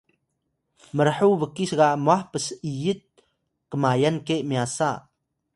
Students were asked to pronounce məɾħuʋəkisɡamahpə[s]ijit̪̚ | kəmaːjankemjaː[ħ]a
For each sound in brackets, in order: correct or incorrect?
correct, incorrect: s

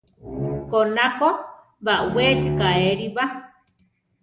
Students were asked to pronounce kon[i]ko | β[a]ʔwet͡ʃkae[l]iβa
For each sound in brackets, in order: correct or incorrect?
incorrect: a, correct, incorrect: ɾ

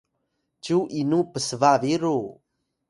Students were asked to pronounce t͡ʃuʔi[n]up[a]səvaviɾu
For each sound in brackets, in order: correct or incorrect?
correct, incorrect: ə

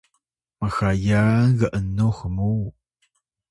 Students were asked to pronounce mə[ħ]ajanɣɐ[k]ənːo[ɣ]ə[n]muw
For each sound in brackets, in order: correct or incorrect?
incorrect: x, incorrect: ʔ, incorrect: x, incorrect: none

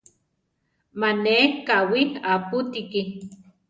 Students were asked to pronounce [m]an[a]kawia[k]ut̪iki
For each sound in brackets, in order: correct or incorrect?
correct, incorrect: e, incorrect: p

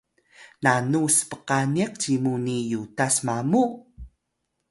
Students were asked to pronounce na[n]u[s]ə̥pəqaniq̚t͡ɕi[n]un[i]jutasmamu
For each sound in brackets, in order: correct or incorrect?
correct, correct, incorrect: m, correct

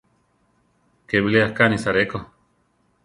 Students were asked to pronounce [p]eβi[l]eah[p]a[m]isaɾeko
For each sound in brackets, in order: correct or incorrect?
incorrect: k, correct, incorrect: k, incorrect: n

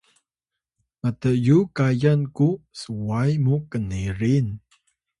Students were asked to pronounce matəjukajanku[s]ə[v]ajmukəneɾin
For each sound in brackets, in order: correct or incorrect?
correct, incorrect: w

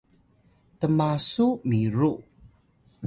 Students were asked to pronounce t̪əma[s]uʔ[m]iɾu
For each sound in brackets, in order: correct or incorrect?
correct, correct

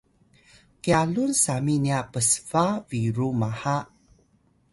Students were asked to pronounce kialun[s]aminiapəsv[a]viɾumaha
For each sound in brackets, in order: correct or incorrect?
correct, correct

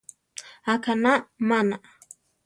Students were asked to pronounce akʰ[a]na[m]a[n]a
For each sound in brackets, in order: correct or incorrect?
correct, correct, correct

